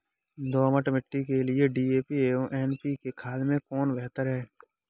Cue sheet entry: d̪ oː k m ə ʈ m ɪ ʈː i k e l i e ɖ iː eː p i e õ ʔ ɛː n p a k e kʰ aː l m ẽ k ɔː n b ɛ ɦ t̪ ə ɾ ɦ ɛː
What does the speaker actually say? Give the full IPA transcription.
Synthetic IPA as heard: d̪ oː m ə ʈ m ɪ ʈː i k e l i e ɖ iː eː p i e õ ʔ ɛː n p i k e kʰ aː l m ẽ k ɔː n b ɛ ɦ t̪ ə ɾ ɦ ɛː